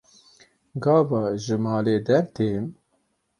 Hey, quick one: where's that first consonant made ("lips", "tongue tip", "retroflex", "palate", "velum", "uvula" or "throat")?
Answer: velum